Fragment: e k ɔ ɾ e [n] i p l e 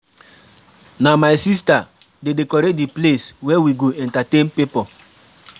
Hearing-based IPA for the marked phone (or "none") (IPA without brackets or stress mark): d